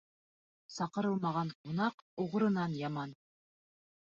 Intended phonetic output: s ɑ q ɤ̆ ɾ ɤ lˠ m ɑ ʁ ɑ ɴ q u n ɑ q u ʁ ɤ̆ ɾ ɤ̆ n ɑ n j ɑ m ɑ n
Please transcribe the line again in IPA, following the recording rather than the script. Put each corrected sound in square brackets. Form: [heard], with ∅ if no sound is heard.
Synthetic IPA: s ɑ q ɤ̆ ɾ ɤ lˠ m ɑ ʁ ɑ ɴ q u n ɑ q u ʁ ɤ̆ ɾ ɤ̆ n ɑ n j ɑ m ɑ n